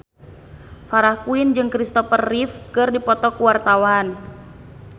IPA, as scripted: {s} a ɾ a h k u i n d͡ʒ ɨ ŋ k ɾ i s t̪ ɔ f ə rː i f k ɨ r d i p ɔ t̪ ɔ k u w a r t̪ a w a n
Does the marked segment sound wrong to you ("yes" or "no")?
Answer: yes